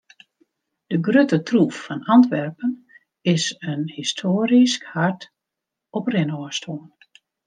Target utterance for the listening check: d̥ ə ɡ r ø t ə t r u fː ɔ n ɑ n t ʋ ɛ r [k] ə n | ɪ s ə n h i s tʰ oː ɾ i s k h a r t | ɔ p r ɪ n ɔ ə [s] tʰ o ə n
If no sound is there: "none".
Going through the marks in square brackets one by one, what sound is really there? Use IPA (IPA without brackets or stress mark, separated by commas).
p, s